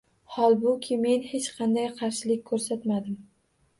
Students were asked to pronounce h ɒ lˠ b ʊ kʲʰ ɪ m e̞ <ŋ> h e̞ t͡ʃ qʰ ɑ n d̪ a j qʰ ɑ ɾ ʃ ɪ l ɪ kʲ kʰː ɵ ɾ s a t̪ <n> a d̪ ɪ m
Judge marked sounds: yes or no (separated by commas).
no, no